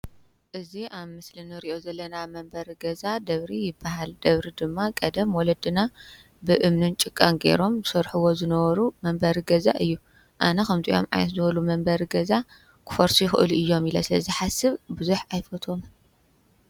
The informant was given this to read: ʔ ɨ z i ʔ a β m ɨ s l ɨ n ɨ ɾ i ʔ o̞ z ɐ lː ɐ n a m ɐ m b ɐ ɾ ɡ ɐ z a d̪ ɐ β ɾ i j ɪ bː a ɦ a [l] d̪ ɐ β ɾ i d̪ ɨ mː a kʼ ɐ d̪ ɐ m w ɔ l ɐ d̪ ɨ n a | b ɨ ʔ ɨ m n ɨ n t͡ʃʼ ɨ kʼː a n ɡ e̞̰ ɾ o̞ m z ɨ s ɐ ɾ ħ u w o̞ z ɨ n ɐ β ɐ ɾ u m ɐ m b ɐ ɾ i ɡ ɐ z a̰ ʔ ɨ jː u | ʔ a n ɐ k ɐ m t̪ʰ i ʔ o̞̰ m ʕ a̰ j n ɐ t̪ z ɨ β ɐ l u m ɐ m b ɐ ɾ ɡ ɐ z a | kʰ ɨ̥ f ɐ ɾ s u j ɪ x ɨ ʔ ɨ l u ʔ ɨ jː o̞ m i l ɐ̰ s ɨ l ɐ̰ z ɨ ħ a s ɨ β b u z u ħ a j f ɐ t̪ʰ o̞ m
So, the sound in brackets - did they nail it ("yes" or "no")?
yes